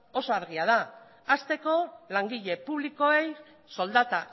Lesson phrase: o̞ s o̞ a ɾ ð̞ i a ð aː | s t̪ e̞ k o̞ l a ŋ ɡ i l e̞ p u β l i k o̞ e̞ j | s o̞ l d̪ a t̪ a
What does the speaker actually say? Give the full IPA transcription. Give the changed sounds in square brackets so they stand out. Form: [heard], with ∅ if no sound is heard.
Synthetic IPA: o̞ s o̞ a ɾ [ɣ̞] i a ð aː | s t̪ e̞ k o̞ l a ŋ ɡ i [ʎ] e̞ p u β l i k o̞ e̞ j | s o̞ l d̪ a t̪ a